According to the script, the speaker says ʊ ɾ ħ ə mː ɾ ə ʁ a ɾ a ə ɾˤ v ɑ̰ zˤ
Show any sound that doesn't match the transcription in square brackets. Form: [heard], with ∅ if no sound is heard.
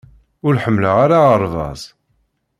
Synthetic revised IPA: ʊ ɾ ħ ə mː [l] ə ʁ a ɾ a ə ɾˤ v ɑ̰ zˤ